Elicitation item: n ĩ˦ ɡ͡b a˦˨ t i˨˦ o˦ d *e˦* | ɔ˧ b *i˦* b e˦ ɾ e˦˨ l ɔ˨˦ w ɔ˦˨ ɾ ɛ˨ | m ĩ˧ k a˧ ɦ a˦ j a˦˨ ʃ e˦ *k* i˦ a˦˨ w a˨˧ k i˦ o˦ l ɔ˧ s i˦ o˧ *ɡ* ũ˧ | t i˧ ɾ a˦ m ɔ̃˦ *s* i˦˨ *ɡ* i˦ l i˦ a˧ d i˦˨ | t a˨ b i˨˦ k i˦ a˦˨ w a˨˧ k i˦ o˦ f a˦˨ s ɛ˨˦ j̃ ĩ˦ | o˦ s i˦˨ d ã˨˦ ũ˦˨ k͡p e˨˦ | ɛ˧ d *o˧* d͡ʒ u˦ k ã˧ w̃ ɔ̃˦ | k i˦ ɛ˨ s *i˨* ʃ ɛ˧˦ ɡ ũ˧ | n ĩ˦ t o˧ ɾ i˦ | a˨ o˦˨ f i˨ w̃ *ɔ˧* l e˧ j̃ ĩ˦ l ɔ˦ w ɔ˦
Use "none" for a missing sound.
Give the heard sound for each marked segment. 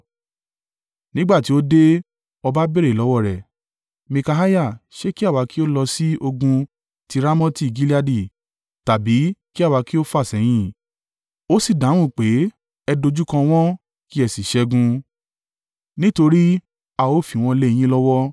e˦, a˦, k, ɡ, t, ɡ, o˧, i˨, ɔ̃˧

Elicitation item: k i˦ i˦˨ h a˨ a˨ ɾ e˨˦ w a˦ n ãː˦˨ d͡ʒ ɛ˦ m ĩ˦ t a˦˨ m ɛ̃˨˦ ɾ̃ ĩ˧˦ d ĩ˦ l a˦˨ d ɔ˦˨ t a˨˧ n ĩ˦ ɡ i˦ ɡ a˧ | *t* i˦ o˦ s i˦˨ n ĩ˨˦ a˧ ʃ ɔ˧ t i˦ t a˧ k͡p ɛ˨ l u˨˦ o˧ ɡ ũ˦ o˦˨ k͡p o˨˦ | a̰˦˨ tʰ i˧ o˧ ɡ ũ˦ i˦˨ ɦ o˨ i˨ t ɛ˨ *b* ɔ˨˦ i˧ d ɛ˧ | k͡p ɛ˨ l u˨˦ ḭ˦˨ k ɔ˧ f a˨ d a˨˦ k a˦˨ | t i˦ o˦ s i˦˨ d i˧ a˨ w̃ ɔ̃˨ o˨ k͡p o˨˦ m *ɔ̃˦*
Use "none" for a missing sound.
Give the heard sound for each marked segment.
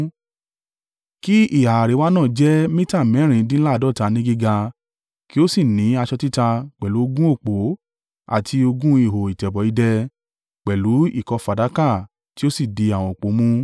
k, b, ũ˦

